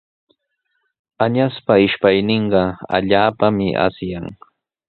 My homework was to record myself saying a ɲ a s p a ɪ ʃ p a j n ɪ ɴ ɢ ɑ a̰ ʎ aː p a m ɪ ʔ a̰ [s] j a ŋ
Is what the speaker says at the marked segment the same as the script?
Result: yes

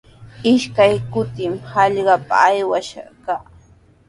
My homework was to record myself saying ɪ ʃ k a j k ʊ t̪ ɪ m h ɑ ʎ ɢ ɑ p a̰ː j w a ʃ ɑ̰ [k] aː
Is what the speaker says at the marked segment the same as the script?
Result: yes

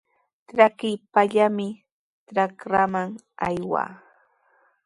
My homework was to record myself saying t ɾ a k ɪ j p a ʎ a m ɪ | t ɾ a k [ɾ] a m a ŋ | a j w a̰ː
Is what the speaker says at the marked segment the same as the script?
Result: yes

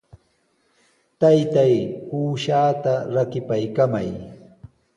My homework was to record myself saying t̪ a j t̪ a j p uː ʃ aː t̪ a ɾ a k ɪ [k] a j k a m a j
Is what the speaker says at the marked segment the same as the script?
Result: no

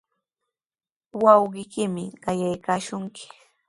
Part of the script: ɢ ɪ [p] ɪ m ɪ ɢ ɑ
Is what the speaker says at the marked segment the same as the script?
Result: no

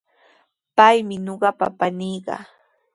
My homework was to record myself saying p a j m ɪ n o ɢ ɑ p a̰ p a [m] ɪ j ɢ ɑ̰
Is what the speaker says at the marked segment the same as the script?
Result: no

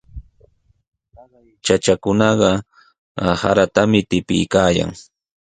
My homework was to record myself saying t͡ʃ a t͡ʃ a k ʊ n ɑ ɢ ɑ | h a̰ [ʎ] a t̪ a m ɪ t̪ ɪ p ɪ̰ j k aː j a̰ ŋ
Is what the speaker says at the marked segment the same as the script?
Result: no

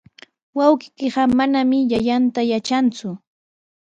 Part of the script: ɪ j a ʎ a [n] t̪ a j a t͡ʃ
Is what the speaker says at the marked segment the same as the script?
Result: yes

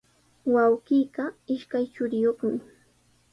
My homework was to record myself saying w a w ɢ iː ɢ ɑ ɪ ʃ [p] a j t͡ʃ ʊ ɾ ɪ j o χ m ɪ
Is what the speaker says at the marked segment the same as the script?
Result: no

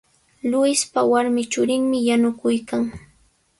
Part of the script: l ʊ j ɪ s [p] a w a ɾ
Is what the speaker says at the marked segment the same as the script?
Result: yes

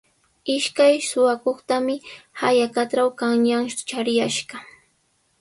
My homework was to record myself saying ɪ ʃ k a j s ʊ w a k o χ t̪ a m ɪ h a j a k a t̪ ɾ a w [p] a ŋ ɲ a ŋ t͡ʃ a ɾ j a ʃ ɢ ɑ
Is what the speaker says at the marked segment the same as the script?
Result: no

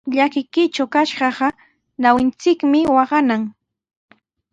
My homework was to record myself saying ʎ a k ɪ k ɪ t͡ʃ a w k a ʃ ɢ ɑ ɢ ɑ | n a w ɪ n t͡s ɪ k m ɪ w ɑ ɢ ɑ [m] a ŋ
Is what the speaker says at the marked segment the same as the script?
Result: no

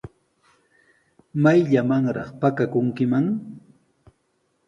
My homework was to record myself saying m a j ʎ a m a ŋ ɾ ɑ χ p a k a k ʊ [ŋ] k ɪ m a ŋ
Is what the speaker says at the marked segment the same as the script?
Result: yes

